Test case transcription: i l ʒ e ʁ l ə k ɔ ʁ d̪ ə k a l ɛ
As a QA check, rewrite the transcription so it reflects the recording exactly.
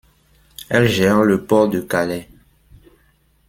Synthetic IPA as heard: ɛ l ʒ ɛ ʁ l ə p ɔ ʁ d̪ ə k a l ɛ